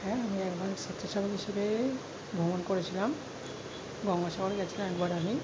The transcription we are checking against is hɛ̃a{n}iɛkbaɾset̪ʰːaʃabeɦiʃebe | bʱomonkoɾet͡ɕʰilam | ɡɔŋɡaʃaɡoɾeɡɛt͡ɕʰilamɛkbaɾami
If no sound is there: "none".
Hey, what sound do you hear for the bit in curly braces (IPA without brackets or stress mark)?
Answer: m